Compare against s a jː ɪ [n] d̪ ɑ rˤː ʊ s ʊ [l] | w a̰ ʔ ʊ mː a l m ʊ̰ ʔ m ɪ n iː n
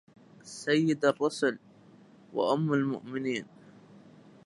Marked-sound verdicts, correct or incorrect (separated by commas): incorrect, correct